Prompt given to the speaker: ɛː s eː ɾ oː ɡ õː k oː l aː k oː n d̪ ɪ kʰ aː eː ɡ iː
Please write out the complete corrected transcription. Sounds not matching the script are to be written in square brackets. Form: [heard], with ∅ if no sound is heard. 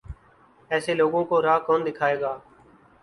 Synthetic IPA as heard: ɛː s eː [l] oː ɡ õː k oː [ɾ] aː k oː n d̪ ɪ kʰ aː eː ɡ [aː]